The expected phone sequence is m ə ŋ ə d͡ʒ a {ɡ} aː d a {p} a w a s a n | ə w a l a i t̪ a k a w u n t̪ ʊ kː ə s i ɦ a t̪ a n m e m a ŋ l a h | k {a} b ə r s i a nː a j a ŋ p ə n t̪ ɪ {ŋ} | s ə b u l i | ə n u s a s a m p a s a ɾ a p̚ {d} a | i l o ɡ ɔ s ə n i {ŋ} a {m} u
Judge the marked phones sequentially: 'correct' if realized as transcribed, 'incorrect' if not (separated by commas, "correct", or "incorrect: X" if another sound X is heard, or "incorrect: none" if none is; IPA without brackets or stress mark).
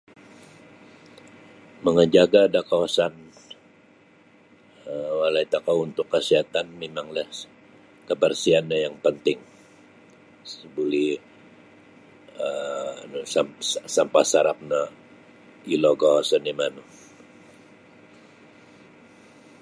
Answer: correct, incorrect: k, incorrect: ə, correct, incorrect: n, incorrect: m, incorrect: n